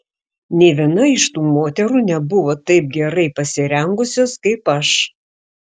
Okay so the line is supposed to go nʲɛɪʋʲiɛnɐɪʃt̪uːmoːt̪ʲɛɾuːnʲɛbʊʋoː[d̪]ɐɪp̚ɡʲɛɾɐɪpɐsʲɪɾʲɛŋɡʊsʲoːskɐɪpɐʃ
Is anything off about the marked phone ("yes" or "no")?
yes